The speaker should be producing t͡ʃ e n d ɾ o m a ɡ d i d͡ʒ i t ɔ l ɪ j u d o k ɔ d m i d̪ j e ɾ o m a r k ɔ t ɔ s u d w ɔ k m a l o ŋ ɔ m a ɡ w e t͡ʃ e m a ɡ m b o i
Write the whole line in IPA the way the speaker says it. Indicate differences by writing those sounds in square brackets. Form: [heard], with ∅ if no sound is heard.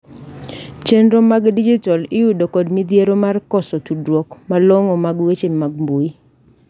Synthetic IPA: t͡ʃ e n d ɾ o m a ɡ d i d͡ʒ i t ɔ l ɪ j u d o k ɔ d m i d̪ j e ɾ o m a r k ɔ [s] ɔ [t] u d w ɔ k m a l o ŋ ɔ m a ɡ w e t͡ʃ e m a ɡ m b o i